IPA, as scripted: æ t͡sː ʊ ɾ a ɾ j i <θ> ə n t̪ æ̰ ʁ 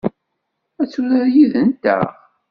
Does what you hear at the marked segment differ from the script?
yes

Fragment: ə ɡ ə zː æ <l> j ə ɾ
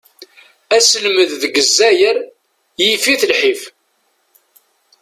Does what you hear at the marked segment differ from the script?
yes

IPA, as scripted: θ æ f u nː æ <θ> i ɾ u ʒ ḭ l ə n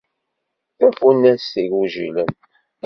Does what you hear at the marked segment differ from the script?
yes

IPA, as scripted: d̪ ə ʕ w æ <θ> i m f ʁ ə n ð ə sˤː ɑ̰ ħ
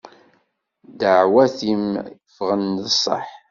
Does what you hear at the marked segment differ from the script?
no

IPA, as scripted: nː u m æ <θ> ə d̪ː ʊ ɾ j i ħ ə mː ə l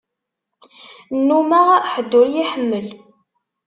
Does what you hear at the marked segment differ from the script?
yes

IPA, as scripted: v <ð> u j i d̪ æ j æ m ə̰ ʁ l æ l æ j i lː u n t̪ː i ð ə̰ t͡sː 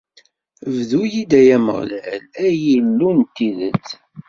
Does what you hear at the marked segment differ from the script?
no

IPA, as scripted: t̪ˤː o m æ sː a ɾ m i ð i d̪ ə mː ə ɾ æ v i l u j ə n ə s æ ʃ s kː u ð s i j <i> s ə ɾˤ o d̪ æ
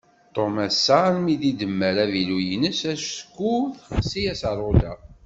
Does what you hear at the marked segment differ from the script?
yes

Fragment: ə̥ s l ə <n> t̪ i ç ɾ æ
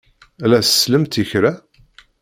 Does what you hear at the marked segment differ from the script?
yes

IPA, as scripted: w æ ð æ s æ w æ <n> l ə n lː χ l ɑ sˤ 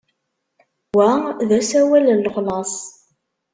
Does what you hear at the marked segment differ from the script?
yes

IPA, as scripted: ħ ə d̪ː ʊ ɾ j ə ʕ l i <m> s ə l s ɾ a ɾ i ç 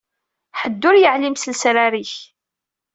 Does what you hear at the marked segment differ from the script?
no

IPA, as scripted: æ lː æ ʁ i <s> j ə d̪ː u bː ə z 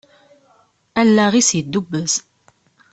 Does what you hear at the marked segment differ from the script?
no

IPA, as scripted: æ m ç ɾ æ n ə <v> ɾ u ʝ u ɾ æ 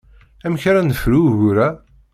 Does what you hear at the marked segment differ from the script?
yes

